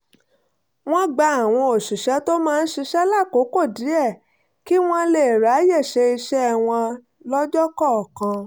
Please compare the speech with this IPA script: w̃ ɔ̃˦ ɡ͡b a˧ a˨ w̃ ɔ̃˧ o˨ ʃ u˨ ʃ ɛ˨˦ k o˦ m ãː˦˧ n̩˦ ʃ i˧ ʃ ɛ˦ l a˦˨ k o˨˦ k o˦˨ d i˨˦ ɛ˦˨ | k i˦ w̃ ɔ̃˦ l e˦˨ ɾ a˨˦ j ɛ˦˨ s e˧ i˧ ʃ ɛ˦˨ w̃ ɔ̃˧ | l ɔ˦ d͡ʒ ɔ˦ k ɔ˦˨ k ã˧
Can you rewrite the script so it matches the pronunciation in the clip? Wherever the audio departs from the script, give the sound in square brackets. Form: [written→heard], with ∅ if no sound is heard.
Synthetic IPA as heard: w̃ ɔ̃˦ ɡ͡b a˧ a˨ w̃ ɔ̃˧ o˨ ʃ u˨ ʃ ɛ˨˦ [k→t] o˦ m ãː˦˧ n̩˦ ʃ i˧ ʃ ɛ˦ l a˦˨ k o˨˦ k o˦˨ d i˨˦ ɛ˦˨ | k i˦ w̃ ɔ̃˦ l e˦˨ ɾ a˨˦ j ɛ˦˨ [s→ʃ] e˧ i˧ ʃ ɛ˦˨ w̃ ɔ̃˧ | l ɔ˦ d͡ʒ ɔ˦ k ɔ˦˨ k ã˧